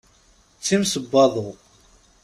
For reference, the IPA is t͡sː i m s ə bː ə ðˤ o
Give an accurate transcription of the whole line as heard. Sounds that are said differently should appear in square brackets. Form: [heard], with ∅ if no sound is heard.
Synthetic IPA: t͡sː i m s ə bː [ɑ] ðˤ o

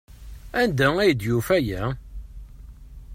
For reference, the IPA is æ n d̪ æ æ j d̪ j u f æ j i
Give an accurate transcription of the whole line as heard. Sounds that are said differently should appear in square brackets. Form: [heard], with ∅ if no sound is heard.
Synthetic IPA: æ n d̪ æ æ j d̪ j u f æ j [æ]

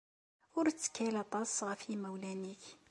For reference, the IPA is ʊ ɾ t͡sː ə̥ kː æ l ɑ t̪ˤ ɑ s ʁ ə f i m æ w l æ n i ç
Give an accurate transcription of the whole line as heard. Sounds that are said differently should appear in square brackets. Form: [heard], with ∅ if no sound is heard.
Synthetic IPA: ʊ ɾ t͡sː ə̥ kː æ l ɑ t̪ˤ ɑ s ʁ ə f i m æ w l æ n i ç

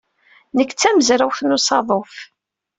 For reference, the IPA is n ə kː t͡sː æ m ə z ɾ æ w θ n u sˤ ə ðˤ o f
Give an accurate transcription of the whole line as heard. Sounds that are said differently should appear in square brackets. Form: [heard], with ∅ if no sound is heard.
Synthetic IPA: n ə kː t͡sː æ m ə z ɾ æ w θ n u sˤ [ɑ] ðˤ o f

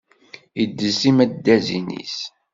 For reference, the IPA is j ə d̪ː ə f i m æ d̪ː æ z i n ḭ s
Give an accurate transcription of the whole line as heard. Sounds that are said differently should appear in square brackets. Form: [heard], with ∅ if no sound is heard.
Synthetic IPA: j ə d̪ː ə [s] i m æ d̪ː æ z i n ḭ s

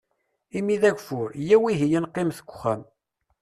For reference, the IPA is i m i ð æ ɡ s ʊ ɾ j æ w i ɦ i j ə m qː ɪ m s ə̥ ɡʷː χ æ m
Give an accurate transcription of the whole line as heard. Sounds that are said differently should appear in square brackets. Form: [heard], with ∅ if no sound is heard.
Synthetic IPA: i m i ð æ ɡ [f] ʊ ɾ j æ w i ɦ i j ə [n] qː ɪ m [θ] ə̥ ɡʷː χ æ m

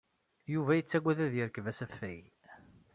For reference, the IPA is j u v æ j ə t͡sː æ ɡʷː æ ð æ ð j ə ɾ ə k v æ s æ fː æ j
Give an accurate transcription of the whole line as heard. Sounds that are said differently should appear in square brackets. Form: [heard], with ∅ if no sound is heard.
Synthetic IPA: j u v æ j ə t͡sː æ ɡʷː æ ð æ ð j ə ɾ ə k v æ s æ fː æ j

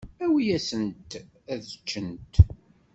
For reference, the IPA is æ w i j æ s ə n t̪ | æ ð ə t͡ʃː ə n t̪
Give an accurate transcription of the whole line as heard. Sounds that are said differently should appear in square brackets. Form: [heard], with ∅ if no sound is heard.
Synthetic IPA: æ w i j æ s ə n t̪ | æ ð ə t͡ʃː ə n t̪

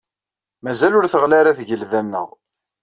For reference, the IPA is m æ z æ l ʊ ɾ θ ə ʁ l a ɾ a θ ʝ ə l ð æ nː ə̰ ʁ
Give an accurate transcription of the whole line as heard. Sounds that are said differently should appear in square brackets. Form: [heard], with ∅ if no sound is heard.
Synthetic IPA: m æ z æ l ʊ ɾ θ ə ʁ l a ɾ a θ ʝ ə l ð æ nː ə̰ ʁ

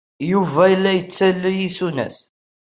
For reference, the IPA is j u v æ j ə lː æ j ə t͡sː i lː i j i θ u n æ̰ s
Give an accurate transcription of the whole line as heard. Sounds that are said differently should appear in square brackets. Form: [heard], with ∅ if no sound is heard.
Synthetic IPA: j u v æ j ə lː æ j ə t͡sː [æ] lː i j i [s] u n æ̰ s

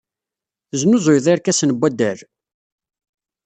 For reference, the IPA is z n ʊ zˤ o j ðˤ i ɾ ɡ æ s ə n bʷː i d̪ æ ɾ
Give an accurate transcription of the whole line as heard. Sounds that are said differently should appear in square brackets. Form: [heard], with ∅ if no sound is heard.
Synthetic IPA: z n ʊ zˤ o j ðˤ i ɾ [k] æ s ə n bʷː [æ] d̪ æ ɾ

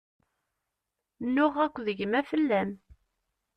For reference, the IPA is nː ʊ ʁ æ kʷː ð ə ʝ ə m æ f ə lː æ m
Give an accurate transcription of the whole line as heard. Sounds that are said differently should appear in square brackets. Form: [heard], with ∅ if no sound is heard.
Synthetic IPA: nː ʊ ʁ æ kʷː ð ə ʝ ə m æ f ə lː æ m

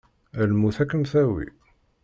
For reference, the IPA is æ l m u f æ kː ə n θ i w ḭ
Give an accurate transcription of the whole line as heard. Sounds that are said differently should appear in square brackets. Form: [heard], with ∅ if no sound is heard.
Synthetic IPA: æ l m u [θ] æ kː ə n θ [æ] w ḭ

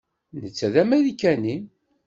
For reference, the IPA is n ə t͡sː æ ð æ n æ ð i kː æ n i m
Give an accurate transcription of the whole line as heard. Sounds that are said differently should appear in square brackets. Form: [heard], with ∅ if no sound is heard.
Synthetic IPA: n ə t͡sː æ ð æ [m] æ ð i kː æ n i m

